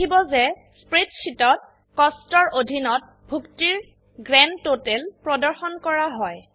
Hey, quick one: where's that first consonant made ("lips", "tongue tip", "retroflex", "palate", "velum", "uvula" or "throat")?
lips